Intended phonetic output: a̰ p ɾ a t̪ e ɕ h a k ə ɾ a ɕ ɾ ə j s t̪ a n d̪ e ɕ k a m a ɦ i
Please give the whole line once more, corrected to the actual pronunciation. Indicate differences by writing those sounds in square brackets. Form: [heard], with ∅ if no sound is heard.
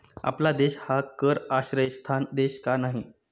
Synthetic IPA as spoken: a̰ p [l] a [d̪] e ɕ h a k ə ɾ a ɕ ɾ ə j s [t̪ʰ] a n d̪ e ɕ k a [n] a ɦ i